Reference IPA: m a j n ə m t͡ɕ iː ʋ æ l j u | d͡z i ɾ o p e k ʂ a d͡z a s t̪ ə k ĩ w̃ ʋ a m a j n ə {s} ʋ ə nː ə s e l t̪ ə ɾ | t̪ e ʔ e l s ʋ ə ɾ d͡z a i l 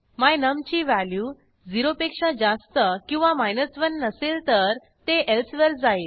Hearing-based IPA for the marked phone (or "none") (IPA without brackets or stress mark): s